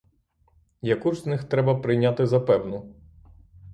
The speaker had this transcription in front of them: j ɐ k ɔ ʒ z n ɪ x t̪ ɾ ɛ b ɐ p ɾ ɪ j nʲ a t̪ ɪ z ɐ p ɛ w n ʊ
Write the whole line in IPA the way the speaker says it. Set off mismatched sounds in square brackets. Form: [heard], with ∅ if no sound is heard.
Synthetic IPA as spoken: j ɐ k [u] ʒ z n ɪ x t̪ ɾ ɛ b ɐ p ɾ ɪ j nʲ a t̪ ɪ z ɐ p ɛ w n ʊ